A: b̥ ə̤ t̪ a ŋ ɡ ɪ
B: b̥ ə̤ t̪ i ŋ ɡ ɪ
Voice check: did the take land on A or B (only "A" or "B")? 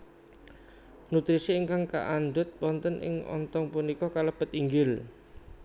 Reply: B